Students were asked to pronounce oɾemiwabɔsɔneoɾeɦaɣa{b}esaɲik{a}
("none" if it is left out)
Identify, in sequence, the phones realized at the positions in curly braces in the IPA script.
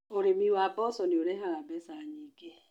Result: b, e

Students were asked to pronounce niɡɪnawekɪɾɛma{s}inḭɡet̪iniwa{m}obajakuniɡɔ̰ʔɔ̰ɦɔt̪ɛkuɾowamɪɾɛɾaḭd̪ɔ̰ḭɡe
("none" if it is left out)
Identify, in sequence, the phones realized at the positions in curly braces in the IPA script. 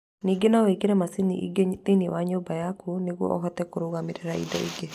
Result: s, ɲ

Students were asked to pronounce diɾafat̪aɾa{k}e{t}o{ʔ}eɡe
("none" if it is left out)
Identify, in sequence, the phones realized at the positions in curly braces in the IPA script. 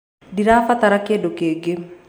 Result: k, d, k

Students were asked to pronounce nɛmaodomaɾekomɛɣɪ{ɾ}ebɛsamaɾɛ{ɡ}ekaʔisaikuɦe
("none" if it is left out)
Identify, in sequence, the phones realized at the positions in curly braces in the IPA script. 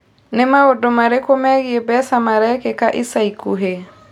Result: none, k

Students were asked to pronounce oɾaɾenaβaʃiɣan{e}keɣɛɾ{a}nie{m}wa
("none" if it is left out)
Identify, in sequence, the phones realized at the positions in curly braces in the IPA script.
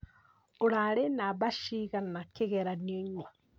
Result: a, a, ɲ

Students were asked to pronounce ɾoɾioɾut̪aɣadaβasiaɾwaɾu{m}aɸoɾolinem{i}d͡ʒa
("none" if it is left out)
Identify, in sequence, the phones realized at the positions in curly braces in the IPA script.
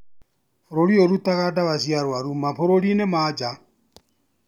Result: m, a

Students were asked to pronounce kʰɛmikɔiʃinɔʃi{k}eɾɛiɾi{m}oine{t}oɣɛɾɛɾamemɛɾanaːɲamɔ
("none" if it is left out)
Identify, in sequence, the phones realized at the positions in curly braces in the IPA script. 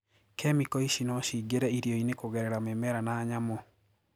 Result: ɡ, none, k

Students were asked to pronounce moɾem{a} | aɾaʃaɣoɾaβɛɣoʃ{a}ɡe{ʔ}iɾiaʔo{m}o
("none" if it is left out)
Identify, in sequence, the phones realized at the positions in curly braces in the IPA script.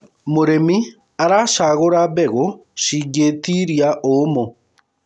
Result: i, i, t, m

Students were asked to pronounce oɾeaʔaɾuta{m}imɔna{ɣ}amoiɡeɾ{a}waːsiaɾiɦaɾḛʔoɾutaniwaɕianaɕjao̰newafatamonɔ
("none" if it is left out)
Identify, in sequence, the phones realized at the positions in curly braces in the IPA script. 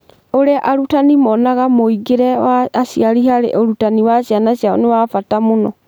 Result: n, ɣ, ɛ

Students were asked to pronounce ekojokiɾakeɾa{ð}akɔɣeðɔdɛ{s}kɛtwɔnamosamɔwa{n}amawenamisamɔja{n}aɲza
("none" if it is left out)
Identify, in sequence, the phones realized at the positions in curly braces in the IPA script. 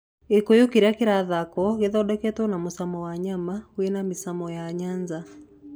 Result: ð, none, ɲ, ɲ

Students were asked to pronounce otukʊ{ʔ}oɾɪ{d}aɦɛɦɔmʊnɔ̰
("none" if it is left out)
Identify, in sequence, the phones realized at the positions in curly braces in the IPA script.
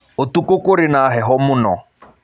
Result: k, n

